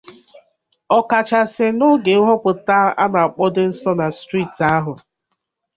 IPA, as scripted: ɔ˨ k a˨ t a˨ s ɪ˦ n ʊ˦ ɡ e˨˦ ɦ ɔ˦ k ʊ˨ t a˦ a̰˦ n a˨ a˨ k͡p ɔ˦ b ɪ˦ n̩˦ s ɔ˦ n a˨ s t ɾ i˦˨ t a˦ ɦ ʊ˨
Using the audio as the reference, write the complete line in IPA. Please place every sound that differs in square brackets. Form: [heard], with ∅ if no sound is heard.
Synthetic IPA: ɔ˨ k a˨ [t͡ʃ] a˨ s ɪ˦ n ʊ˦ ɡ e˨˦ ɦ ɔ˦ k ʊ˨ t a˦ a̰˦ n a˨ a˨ k͡p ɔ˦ [d] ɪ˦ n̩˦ s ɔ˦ n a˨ s t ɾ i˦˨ t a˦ ɦ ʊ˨